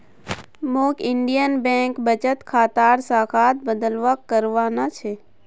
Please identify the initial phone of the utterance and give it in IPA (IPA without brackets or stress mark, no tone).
m